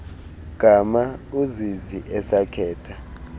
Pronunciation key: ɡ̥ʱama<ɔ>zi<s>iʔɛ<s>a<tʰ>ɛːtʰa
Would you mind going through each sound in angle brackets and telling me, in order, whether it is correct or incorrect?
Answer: incorrect: u, incorrect: z, correct, incorrect: kʰ

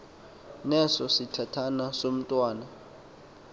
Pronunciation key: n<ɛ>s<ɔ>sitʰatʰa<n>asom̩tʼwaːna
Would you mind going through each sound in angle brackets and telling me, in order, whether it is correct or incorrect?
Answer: correct, correct, correct

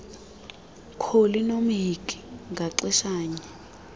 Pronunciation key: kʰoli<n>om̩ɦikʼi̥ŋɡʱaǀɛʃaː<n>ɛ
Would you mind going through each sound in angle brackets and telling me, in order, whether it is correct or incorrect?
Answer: correct, incorrect: ɲ

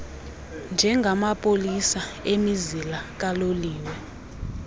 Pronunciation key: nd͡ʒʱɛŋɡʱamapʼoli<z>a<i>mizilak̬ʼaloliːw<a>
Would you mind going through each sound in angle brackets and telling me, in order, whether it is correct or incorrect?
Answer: incorrect: s, incorrect: e, incorrect: ɛ

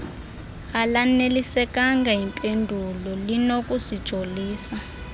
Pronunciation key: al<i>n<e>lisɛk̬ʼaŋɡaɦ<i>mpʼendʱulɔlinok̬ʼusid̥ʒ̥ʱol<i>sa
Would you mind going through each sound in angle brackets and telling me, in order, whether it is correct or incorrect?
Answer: incorrect: a, correct, correct, incorrect: iː

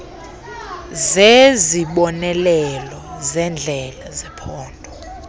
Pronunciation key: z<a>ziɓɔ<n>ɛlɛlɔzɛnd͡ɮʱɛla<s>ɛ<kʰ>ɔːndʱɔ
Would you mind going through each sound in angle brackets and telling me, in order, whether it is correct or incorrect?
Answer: incorrect: e, correct, incorrect: z, incorrect: pʰ

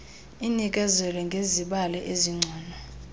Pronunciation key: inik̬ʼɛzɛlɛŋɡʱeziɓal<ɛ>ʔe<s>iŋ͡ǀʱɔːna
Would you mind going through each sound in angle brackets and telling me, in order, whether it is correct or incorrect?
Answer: correct, incorrect: z

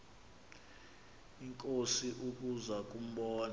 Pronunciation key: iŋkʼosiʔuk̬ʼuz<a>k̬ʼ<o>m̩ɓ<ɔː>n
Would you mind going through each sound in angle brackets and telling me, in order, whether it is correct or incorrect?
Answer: correct, incorrect: u, correct

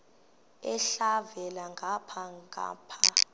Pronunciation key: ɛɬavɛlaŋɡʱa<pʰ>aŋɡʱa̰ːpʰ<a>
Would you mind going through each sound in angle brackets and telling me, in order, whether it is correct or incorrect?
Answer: correct, correct

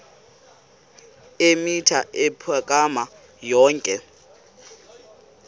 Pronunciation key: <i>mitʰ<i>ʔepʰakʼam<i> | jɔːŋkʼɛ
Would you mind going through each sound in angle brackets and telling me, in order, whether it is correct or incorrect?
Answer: incorrect: e, incorrect: a, incorrect: a

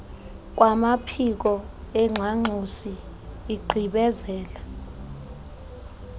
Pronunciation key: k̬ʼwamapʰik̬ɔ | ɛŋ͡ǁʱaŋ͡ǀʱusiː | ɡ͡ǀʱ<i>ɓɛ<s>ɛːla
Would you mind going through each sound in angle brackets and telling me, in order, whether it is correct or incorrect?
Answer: correct, incorrect: z

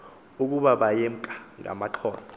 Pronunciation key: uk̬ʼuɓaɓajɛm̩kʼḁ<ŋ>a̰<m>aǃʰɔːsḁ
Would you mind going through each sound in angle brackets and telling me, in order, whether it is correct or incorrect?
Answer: correct, correct

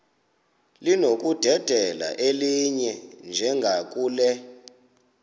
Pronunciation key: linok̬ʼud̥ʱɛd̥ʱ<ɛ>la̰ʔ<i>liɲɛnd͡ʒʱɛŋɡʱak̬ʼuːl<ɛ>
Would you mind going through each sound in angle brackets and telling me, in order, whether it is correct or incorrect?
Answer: correct, incorrect: e, correct

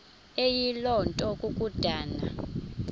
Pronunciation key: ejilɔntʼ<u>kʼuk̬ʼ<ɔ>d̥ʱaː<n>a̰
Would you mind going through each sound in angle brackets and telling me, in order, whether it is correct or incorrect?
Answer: incorrect: ɔ, incorrect: u, correct

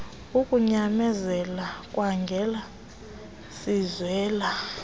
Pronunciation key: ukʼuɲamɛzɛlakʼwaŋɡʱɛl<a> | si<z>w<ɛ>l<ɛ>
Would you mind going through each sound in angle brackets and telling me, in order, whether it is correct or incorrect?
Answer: correct, correct, incorrect: ɛː, incorrect: a

